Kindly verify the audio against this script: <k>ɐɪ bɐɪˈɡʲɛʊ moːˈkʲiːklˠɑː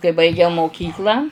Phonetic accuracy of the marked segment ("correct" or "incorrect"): correct